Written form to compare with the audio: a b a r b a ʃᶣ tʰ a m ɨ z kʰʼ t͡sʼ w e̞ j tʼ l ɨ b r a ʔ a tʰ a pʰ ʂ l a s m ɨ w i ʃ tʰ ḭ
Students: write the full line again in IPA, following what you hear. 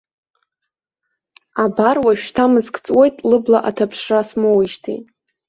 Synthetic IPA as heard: a b a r w a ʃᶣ tʰ a m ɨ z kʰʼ t͡sʼ w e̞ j tʼ l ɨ b l a ʔ a tʰ a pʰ ʂ r a s m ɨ w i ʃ tʰ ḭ